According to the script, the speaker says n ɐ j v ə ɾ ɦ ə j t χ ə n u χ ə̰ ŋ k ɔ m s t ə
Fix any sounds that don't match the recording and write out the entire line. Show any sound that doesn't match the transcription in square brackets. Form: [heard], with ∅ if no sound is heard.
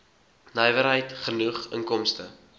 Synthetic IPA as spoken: n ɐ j v ə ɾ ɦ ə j t χ ə n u χ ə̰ ŋ k ɔ m s t ə

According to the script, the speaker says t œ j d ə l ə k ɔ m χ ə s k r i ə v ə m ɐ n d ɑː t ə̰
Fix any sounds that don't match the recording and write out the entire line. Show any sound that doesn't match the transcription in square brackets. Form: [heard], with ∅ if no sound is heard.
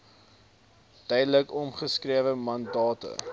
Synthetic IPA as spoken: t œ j d ə l ə k ɔ m χ ə s k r i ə v ə m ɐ n d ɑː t ə̰

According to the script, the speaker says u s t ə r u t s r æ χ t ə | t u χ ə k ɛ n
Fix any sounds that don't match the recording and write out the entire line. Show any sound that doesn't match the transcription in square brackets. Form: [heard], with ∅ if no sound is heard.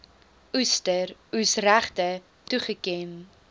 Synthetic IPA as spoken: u s t ə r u [∅] s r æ χ t ə | t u χ ə k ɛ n

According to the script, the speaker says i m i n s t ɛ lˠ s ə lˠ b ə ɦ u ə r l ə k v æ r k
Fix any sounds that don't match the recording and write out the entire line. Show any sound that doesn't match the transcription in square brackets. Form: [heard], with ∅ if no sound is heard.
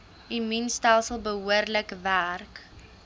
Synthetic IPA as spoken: i m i n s t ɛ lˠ s ə lˠ b ə ɦ u ə r l ə k v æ r k

